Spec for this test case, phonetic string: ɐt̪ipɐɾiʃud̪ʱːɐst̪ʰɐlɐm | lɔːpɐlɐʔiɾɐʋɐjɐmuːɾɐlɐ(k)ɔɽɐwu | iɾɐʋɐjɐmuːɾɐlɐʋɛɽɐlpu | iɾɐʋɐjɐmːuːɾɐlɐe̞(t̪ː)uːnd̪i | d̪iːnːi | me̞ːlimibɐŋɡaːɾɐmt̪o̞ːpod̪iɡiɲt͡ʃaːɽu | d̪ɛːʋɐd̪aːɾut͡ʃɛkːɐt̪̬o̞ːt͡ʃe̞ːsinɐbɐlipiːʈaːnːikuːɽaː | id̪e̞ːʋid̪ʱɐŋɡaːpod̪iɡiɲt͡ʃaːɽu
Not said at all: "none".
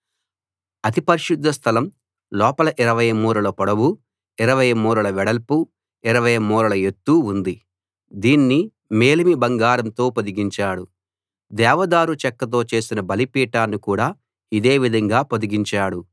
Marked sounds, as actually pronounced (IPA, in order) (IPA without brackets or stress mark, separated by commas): p, t̪ː